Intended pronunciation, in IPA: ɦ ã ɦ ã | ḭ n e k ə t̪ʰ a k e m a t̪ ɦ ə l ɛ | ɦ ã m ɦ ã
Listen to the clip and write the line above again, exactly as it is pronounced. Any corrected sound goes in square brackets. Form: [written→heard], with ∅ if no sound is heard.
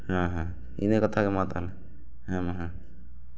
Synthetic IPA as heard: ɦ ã ɦ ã | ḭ n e k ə t̪ʰ a k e m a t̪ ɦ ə l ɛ | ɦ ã m ɦ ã